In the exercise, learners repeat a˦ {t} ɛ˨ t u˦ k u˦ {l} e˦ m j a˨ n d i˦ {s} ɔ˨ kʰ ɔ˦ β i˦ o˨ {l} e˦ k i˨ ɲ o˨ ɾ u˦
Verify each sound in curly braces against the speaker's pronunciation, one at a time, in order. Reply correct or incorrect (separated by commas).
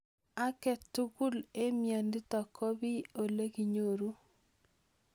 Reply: incorrect, correct, incorrect, correct